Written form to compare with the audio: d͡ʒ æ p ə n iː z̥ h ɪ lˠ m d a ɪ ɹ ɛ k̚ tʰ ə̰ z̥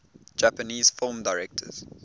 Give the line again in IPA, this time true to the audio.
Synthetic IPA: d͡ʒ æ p ə n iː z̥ f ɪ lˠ m d a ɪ ɹ ɛ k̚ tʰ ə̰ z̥

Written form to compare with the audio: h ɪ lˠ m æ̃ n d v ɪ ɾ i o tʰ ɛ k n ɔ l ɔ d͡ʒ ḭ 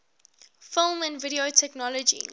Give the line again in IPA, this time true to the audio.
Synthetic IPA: f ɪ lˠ m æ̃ n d v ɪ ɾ i o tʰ ɛ k n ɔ l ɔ d͡ʒ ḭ

